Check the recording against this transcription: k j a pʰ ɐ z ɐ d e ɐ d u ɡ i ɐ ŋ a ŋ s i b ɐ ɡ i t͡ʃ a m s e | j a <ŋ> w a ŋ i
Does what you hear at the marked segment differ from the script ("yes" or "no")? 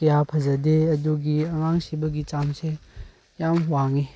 yes